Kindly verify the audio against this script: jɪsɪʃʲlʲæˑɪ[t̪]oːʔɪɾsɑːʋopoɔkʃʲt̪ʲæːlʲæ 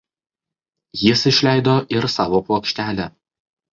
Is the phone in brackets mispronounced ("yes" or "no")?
yes